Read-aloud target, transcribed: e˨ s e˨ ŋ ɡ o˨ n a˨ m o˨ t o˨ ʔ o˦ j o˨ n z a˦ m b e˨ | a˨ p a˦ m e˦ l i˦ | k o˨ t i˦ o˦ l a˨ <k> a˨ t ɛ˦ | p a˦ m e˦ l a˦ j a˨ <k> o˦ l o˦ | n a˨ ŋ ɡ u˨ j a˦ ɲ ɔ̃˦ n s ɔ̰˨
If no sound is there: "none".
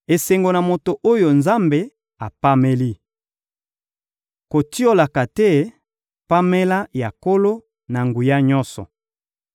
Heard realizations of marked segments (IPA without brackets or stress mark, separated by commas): k, k